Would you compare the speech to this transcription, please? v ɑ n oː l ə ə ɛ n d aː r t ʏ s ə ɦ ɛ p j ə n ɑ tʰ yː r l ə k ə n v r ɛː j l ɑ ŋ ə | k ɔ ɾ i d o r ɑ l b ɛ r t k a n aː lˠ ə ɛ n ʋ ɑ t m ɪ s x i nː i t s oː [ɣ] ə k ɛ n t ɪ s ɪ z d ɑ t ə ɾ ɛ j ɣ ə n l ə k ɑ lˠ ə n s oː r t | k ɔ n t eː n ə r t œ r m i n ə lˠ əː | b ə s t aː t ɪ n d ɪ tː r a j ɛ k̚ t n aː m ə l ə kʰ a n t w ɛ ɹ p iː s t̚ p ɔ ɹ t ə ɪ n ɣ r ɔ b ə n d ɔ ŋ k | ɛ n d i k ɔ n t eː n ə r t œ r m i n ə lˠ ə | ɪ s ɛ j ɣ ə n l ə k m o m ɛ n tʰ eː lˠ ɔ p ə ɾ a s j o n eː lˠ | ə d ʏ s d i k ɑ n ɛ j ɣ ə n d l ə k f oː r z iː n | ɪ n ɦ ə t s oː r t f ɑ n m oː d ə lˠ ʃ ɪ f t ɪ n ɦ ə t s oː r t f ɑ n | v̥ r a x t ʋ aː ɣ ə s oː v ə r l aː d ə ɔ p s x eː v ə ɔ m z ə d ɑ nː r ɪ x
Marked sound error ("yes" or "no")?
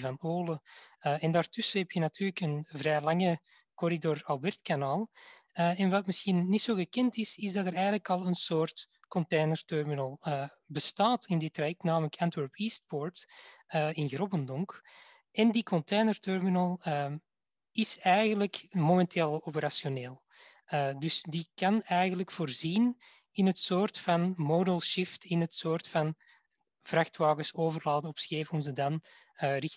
no